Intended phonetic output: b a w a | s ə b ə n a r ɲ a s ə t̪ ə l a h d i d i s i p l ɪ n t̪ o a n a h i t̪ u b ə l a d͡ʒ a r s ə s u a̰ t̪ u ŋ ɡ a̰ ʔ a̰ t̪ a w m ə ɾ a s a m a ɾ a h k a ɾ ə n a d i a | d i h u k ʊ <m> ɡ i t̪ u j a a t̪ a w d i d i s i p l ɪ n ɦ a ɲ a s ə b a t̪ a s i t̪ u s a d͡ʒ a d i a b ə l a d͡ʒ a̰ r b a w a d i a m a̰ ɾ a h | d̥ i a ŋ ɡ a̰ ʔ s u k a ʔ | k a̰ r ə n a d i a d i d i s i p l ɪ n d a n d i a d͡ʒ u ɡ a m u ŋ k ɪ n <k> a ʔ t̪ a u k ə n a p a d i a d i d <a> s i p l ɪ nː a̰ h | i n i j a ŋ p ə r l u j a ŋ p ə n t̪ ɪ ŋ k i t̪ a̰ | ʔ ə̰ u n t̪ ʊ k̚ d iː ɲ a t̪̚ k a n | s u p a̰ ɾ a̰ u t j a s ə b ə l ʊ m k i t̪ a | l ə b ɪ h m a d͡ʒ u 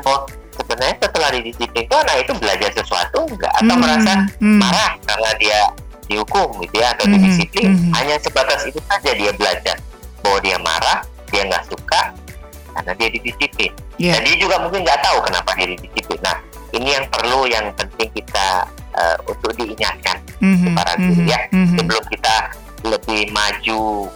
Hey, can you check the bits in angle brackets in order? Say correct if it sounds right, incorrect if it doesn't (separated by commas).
correct, incorrect, incorrect